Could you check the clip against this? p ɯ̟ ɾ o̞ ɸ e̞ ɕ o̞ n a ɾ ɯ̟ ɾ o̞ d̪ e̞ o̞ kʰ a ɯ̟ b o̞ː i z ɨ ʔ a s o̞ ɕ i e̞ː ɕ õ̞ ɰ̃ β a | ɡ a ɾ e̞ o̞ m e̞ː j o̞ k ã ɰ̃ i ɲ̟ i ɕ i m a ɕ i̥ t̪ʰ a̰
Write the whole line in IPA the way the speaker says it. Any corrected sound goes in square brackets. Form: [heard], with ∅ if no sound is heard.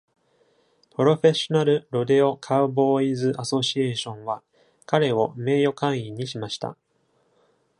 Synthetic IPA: p ɯ̟ ɾ o̞ ɸ e̞ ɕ o̞ n a ɾ ɯ̟ ɾ o̞ d̪ e̞ o̞ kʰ a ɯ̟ b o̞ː i z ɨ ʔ a s o̞ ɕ i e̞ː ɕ õ̞ ɰ̃ β a | [k] a ɾ e̞ o̞ m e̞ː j o̞ k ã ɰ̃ i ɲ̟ i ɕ i m a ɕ i̥ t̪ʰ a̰